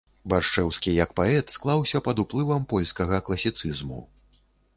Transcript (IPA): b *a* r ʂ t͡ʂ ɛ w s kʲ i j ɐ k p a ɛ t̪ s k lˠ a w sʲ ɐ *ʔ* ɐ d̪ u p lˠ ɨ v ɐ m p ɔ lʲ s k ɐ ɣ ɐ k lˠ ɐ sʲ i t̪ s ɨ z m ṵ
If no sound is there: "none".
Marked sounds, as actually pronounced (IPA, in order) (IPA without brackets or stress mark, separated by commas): a, p